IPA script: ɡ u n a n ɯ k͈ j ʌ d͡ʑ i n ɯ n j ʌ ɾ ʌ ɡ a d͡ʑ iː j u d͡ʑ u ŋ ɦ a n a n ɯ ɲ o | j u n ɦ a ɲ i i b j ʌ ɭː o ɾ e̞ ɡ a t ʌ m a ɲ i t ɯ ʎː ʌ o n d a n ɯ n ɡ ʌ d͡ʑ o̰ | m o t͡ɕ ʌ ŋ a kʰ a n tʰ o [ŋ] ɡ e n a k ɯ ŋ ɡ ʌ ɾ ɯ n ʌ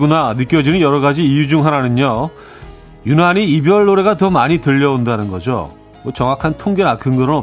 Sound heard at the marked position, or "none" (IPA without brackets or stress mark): ŋ